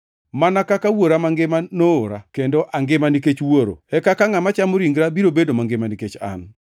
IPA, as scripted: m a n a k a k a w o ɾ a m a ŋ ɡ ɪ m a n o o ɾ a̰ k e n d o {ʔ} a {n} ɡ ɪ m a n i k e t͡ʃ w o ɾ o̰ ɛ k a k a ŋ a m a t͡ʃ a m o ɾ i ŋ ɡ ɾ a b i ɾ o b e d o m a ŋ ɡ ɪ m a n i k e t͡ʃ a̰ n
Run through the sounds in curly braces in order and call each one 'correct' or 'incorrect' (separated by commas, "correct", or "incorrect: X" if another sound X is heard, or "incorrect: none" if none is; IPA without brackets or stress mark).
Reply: correct, incorrect: ŋ